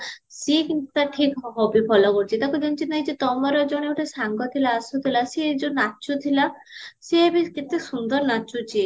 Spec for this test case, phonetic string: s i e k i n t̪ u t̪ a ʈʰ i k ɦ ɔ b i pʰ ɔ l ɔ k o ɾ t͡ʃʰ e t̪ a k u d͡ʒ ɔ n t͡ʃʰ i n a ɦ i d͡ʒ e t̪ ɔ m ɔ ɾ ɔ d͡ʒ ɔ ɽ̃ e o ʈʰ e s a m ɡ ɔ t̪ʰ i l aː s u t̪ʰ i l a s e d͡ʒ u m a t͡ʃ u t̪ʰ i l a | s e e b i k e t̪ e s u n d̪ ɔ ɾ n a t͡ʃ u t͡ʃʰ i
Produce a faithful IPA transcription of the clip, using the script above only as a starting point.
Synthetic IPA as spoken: s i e k i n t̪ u t̪ a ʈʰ i k ɦ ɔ b i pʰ ɔ l ɔ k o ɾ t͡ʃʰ i t̪ a k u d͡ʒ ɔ n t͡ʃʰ i n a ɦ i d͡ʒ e t̪ ɔ m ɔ ɾ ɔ d͡ʒ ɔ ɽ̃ e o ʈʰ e s a ŋ ɡ ɔ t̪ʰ i l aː s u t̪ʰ i l a s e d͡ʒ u n a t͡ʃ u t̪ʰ i l a | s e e b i k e t̪ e s u n d̪ ɔ ɾ n a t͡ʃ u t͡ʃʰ i